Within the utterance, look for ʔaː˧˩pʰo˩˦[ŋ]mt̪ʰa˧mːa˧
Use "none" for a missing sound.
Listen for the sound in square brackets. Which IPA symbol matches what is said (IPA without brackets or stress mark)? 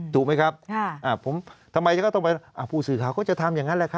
none